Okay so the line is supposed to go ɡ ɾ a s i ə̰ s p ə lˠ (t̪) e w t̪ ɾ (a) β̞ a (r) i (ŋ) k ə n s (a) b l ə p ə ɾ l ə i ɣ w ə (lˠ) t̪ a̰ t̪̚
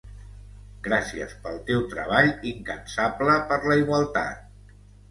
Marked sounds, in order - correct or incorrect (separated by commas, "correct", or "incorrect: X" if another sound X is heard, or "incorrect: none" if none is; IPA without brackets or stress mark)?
correct, incorrect: ə, incorrect: ʎ, correct, correct, correct